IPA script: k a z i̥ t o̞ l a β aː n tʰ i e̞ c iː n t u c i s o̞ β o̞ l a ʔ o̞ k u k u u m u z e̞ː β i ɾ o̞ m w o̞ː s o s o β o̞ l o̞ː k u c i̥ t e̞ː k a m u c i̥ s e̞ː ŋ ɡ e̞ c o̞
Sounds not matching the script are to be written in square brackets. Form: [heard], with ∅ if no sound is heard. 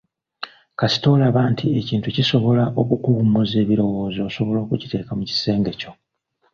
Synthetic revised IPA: k a [s] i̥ t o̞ l a β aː n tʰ i e̞ c iː n t u c i s o̞ β o̞ l a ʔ o̞ k u k u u m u z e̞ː β i ɾ o̞ [∅] w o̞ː [z] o s o β o̞ l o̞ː k u c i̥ t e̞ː k a m u c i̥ s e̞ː ŋ ɡ e̞ c o̞